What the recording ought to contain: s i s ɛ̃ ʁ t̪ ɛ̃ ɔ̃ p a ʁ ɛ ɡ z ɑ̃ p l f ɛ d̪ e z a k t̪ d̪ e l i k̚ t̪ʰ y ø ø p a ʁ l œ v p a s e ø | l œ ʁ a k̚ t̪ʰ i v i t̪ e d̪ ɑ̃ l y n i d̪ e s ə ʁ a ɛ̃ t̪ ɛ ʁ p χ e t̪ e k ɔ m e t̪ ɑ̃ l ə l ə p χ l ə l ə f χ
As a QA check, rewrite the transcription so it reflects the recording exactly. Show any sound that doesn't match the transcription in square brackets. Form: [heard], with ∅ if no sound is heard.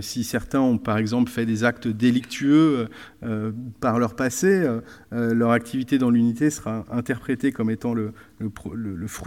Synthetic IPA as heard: s i s [ɛ] ʁ t̪ ɛ̃ ɔ̃ p a ʁ ɛ ɡ z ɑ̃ p l f ɛ d̪ e z a k t̪ d̪ e l i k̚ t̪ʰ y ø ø p a ʁ l œ [ʁ] p a s e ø | l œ ʁ a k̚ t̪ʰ i v i t̪ e d̪ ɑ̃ l y n i [t̪] e s ə ʁ a ɛ̃ t̪ ɛ ʁ p χ e t̪ e k ɔ m e t̪ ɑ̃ l ə l ə p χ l ə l ə f χ